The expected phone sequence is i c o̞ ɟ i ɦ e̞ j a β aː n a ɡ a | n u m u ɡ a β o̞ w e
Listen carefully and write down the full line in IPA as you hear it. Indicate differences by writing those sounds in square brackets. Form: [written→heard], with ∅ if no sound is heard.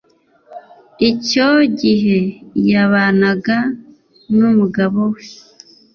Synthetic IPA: i c o̞ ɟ i ɦ e̞ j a β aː n a ɡ a | n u m u ɡ a β o̞ w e